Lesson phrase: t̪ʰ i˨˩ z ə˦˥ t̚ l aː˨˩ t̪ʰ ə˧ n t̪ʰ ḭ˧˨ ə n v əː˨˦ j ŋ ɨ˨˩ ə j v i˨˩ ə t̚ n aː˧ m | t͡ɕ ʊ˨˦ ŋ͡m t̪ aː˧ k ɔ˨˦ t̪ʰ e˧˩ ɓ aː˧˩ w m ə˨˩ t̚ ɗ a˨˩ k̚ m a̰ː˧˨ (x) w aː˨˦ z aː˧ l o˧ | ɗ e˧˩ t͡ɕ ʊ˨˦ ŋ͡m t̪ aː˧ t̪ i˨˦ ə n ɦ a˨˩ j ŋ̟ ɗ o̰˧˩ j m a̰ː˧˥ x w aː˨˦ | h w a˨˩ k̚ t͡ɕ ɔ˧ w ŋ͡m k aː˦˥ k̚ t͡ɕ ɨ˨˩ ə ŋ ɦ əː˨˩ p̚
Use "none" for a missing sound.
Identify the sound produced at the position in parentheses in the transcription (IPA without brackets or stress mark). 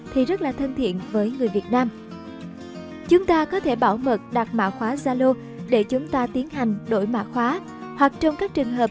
x